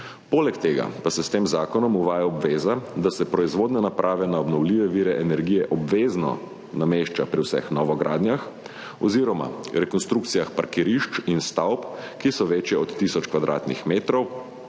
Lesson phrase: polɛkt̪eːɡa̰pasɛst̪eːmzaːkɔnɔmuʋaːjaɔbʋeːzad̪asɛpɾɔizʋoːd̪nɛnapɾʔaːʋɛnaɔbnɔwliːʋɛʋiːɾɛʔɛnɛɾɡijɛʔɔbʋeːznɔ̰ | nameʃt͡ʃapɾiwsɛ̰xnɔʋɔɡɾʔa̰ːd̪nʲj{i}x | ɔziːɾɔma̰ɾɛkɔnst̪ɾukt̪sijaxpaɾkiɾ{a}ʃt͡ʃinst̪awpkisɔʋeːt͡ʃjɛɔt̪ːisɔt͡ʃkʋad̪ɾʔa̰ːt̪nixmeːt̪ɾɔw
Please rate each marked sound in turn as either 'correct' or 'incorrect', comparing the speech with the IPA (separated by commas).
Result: incorrect, incorrect